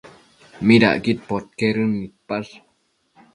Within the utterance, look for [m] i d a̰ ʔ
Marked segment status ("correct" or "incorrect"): correct